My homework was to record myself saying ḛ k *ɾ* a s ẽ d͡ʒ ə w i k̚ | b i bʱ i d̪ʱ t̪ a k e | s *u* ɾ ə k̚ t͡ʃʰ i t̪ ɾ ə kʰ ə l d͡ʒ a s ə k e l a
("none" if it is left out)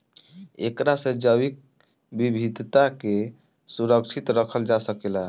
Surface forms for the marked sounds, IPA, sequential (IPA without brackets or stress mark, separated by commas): ɾ, u